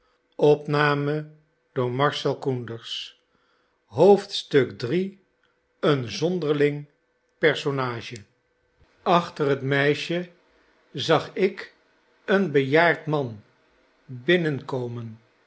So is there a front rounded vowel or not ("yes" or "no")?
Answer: no